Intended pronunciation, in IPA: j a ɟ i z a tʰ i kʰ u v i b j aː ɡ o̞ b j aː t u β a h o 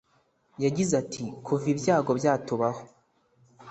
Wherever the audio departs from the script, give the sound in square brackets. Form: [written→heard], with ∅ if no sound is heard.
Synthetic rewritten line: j a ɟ i z a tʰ i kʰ u v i b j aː ɡ o̞ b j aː t u β a h o